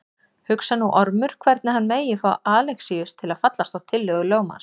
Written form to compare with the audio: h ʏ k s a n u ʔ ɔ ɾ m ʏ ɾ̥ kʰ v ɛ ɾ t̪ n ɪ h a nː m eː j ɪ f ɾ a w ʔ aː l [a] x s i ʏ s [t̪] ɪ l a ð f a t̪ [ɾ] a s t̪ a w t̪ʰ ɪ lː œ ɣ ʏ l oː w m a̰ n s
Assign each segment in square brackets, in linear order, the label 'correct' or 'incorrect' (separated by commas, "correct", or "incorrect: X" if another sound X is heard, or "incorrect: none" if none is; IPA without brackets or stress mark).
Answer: incorrect: ɛ, incorrect: t̪ʰ, incorrect: l